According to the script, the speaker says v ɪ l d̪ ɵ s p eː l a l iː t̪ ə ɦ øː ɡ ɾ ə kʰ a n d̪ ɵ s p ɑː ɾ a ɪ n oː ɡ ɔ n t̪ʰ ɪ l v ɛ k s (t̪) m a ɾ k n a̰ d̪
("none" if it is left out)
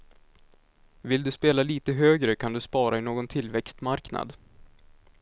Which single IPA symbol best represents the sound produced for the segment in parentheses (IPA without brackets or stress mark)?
t̪